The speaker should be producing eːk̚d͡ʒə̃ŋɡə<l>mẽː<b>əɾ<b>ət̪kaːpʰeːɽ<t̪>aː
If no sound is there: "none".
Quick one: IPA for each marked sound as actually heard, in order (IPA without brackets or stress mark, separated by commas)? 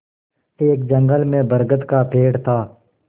l, b, ɡ, t̪ʰ